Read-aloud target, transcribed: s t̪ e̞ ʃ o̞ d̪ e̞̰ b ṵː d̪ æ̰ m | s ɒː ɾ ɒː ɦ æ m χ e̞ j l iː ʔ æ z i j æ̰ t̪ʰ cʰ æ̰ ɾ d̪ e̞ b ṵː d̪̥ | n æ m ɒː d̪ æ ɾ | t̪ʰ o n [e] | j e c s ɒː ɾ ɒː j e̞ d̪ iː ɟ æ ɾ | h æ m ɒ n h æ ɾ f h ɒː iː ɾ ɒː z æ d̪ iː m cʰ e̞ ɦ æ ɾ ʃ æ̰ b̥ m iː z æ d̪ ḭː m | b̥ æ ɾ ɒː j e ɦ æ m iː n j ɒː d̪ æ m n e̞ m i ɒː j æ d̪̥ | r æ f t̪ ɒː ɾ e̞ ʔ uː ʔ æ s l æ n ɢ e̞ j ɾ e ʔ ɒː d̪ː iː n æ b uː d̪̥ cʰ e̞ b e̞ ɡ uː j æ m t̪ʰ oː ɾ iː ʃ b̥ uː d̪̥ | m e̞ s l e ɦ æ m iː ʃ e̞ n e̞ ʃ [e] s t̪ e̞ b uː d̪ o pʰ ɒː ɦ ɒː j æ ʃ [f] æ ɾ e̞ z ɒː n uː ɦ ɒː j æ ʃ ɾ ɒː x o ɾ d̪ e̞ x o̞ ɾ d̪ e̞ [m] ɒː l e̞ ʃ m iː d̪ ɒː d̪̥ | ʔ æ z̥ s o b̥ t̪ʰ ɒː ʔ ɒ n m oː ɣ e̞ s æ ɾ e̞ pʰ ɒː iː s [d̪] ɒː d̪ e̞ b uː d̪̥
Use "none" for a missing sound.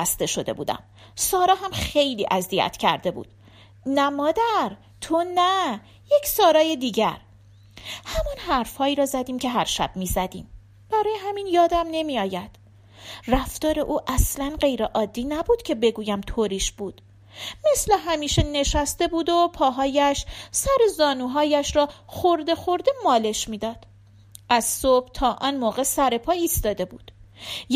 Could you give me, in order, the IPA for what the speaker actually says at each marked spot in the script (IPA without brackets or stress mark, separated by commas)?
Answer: æ, æ, s, m, t̪